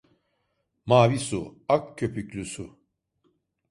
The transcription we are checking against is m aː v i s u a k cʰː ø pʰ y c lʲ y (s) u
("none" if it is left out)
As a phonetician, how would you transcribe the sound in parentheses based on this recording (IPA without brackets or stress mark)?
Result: s